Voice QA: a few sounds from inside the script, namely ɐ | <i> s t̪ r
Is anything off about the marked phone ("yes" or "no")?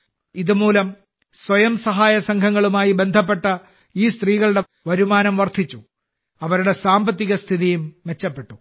yes